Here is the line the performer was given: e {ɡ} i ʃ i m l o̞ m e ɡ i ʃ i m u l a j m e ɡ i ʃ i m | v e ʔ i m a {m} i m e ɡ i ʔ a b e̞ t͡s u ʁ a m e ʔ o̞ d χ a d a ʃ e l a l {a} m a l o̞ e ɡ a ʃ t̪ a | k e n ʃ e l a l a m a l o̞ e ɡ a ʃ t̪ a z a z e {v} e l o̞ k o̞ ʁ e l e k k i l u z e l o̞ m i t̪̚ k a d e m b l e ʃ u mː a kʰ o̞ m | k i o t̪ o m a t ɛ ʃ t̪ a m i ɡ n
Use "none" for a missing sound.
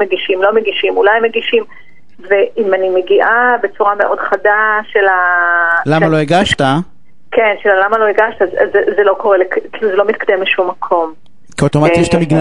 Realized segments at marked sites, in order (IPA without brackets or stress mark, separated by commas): ɡ, n, a, z